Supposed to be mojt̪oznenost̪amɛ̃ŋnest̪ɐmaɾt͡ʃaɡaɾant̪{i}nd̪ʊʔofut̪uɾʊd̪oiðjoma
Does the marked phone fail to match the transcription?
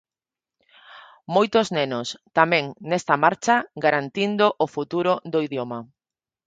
no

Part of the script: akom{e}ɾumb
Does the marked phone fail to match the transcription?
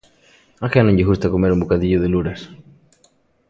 no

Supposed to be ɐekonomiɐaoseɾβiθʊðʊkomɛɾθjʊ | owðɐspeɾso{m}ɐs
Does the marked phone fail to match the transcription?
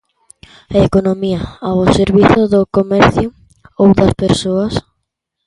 yes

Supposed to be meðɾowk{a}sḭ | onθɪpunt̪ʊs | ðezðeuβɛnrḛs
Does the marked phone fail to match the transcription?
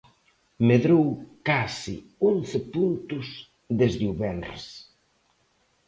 no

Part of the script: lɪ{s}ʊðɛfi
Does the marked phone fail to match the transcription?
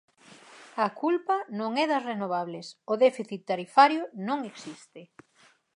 no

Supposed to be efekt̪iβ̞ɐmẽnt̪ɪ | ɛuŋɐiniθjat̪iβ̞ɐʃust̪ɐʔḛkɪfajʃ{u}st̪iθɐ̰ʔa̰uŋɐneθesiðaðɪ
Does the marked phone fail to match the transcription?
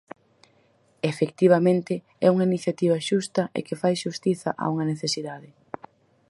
no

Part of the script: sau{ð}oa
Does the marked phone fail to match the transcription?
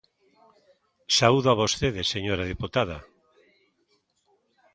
no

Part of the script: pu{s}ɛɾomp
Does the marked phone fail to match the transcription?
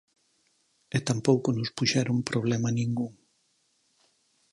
yes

